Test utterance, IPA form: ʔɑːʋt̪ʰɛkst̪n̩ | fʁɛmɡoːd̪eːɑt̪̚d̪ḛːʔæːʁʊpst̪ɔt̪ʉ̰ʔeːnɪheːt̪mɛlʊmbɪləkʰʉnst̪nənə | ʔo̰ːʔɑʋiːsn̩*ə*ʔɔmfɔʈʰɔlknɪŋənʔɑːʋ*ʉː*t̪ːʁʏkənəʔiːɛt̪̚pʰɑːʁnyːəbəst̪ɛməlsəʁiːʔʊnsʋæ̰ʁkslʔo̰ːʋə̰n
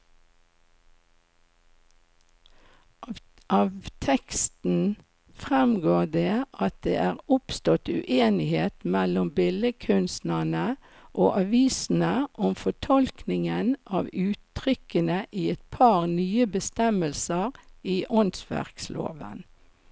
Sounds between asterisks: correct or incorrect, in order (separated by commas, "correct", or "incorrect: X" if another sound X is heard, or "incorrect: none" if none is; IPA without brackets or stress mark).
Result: correct, correct